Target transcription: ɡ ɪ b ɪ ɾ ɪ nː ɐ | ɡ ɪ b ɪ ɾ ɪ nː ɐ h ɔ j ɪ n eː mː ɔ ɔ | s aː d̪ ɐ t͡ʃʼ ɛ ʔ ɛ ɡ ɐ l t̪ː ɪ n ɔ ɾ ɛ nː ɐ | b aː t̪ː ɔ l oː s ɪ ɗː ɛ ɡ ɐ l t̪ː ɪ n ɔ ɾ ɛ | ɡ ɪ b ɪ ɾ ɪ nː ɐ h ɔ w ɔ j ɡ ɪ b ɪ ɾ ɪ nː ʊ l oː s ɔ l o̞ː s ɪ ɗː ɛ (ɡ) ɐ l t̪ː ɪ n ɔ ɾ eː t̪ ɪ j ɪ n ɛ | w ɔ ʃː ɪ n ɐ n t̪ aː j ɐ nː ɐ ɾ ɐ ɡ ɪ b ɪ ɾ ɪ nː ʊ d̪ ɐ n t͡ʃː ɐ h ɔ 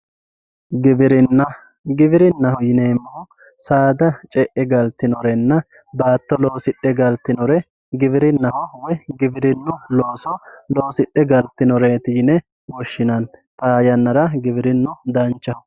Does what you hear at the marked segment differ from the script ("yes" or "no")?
no